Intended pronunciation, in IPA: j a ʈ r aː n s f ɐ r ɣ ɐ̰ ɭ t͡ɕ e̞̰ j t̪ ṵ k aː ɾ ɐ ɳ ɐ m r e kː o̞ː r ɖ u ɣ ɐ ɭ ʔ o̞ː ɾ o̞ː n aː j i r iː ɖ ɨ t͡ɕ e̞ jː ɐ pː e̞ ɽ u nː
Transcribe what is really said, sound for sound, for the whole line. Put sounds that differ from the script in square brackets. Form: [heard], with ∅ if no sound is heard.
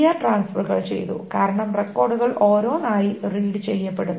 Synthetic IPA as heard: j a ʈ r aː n s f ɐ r ɣ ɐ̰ ɭ t͡ɕ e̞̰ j t̪ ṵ k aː ɾ ɐ ɳ ɐ m r e kː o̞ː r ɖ u ɣ ɐ ɭ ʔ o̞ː ɾ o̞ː n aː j i r iː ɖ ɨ t͡ɕ e̞ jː ɐ pː e̞ ɽ u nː